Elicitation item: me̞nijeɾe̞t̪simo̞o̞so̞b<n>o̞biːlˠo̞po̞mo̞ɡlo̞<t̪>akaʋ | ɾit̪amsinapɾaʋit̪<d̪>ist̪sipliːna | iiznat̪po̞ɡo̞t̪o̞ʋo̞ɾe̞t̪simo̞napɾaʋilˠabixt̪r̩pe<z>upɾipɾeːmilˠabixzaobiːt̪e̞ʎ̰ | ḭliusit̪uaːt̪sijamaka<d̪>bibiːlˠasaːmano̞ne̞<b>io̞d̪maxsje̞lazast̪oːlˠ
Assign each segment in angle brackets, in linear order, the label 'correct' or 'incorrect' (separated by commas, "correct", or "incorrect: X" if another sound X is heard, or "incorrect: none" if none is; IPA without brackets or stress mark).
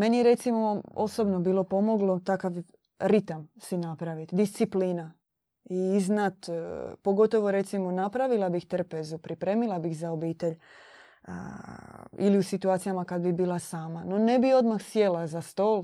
correct, correct, correct, correct, correct, correct